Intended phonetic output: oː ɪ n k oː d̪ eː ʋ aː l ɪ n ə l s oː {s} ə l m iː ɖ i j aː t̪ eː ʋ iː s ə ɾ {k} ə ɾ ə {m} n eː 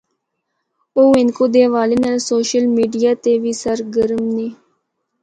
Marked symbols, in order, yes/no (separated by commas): no, no, yes